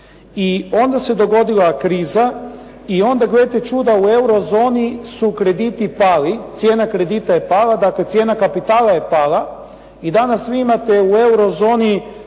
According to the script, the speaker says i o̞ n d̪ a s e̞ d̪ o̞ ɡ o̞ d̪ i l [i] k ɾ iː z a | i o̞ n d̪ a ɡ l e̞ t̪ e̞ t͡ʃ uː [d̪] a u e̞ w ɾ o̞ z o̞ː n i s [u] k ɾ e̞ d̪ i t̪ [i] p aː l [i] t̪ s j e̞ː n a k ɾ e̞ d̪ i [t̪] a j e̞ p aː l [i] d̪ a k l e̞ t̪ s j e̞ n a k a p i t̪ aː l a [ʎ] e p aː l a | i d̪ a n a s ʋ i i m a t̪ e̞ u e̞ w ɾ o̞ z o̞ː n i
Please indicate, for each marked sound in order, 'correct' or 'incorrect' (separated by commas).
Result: incorrect, correct, correct, correct, correct, correct, incorrect, incorrect